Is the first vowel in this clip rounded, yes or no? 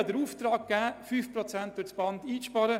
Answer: no